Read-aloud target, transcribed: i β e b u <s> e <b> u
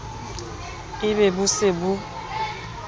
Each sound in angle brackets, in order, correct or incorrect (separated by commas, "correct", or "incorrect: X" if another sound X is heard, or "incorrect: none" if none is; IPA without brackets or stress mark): correct, correct